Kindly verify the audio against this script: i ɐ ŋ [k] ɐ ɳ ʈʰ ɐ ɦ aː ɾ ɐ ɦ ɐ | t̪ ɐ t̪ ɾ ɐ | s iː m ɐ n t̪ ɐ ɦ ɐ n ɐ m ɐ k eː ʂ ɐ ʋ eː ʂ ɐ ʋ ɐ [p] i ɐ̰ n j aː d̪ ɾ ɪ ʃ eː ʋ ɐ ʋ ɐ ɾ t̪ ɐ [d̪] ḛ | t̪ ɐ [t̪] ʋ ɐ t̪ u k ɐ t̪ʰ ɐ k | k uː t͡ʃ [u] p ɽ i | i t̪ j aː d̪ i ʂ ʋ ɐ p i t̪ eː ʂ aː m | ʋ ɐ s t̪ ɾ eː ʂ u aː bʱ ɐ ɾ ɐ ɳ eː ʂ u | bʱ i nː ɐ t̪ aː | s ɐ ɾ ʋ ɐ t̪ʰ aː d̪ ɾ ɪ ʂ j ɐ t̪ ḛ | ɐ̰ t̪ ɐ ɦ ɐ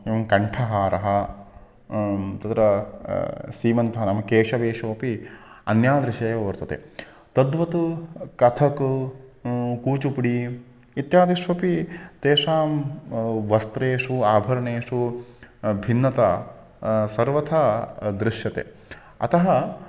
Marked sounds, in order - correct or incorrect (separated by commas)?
correct, correct, incorrect, incorrect, correct